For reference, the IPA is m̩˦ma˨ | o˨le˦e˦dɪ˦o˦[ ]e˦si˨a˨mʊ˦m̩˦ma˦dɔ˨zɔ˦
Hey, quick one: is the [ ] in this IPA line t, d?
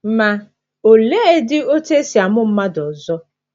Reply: t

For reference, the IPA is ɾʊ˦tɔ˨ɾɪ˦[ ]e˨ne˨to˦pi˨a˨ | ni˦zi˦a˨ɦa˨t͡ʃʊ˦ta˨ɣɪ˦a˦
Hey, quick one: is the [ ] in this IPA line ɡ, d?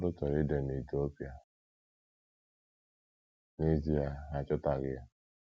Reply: d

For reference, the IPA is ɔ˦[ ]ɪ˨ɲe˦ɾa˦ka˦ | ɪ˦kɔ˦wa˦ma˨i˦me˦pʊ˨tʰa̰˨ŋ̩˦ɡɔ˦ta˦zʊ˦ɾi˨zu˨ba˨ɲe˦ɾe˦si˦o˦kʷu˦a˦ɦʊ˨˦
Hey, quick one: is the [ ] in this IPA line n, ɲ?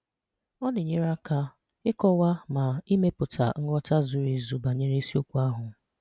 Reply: n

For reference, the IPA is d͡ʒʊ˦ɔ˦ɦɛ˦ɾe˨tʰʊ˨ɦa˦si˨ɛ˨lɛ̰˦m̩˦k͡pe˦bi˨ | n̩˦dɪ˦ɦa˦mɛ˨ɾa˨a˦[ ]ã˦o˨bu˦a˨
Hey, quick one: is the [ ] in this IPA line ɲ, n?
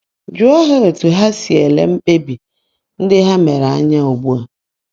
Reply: ɲ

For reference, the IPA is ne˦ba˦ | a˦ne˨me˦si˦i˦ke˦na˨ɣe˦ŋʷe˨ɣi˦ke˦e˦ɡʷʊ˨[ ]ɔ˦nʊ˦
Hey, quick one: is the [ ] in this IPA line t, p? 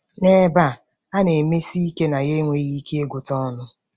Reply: t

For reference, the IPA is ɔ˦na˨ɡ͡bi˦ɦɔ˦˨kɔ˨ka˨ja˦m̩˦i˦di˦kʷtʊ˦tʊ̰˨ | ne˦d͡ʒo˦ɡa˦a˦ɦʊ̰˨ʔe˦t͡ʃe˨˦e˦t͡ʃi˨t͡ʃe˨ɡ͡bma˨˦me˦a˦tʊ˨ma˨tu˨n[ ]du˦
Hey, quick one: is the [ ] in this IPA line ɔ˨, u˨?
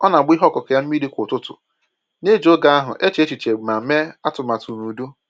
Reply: u˨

